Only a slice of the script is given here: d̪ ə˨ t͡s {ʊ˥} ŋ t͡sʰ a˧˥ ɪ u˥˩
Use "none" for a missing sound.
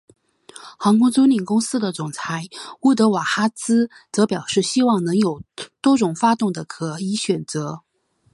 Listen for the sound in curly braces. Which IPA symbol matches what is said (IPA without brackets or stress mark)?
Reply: ʊ˨˩